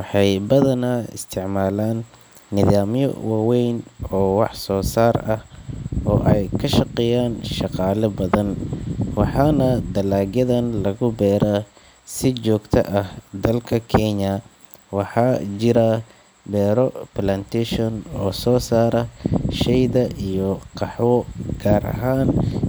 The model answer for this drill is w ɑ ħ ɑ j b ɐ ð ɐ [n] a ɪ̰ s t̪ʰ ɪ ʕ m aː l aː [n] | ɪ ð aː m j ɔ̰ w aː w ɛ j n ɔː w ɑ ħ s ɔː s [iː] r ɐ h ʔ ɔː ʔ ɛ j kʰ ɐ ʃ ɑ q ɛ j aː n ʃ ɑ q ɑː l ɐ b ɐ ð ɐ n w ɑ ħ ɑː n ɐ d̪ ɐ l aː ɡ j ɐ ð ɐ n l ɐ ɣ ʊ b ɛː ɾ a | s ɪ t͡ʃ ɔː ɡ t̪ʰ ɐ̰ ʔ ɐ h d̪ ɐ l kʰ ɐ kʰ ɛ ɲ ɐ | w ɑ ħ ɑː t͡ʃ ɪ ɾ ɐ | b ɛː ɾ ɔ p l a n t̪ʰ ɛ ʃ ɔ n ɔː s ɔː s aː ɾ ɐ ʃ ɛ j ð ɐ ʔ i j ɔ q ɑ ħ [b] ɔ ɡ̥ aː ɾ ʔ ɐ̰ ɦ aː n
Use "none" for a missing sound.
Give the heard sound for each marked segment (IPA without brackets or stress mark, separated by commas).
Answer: n, nː, aː, w